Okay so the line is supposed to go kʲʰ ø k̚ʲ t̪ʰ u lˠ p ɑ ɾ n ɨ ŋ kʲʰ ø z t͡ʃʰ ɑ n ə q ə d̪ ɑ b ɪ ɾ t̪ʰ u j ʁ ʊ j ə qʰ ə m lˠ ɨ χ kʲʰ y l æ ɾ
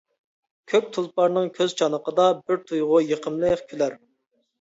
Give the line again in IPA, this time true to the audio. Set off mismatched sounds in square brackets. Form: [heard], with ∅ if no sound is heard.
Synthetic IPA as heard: kʲʰ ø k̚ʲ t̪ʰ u lˠ p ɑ ɾ n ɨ ŋ kʲʰ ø z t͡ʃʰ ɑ n ə q ə d̪ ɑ b ɪ ɾ t̪ʰ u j ʁ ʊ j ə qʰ ə m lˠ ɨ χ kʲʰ y l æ ɾ